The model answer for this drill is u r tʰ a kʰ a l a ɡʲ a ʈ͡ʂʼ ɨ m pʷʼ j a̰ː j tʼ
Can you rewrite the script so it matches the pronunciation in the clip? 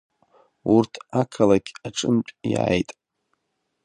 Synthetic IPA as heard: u r tʰ a kʰ a l a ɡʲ a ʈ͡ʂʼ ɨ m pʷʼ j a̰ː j tʼ